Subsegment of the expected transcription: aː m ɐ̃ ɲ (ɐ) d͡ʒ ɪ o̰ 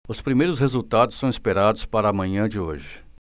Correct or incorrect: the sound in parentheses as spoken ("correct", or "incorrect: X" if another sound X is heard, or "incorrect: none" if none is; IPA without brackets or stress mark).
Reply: incorrect: ɐ̃